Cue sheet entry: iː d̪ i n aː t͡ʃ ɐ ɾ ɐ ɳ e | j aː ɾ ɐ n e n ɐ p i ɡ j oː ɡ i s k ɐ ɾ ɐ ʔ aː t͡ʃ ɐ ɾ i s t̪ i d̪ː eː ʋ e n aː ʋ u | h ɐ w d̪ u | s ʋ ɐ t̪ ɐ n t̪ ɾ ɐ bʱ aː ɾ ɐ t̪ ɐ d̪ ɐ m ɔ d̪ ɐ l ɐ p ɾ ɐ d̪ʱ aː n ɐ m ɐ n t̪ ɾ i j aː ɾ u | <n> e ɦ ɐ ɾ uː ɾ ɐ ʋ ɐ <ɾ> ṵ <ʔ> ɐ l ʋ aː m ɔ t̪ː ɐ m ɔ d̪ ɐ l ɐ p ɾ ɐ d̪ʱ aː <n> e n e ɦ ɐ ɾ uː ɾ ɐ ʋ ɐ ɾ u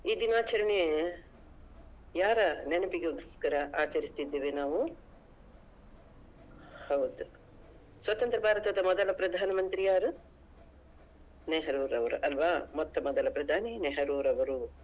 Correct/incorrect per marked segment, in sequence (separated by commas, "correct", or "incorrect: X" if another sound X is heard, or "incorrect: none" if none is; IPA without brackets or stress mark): correct, correct, correct, correct